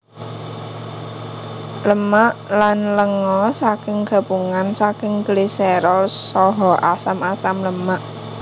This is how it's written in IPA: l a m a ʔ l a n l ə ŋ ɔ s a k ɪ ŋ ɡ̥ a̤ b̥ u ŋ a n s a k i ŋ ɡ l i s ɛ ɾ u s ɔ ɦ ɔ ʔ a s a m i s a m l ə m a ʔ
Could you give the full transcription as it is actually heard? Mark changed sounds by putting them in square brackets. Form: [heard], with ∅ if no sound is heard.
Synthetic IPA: l [ə] m a ʔ l a n l ə ŋ ɔ s a k ɪ ŋ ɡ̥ a̤ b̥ u ŋ a n s a k [ɪ] ŋ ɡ l i s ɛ ɾ [ɔ] s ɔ ɦ ɔ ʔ a s a m [a] s a m l ə m a ʔ